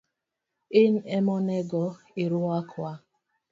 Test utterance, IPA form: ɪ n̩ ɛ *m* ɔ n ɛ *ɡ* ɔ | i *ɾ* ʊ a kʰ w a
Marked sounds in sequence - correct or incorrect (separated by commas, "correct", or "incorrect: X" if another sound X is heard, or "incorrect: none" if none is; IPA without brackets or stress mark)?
correct, correct, correct